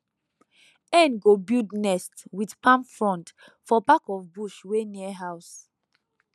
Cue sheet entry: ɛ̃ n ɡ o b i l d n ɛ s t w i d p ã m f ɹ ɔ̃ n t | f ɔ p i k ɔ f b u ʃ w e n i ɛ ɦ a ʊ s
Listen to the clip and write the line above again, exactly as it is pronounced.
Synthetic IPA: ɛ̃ n ɡ o b i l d n ɛ s t w i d p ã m f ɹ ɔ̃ n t | f ɔ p a k ɔ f b u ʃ w e n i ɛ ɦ a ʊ s